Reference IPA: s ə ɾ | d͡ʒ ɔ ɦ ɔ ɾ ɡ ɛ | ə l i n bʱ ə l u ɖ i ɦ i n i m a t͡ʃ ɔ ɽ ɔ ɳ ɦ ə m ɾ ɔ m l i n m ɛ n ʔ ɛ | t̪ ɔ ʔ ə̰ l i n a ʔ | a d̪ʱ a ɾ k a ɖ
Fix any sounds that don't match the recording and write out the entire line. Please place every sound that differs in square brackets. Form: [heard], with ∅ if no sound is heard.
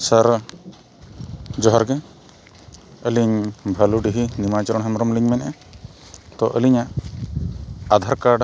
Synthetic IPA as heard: s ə ɾ | d͡ʒ ɔ ɦ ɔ ɾ ɡ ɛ | ə l i [ɲ] bʱ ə l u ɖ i ɦ i n i m a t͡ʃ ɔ [ɾ] ɔ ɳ ɦ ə m ɾ ɔ m l i [ɲ] m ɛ n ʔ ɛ | t̪ ɔ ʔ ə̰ l i [ɲ] a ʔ | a d̪ʱ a ɾ k a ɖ